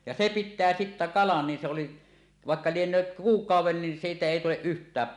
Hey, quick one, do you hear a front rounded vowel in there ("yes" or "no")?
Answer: yes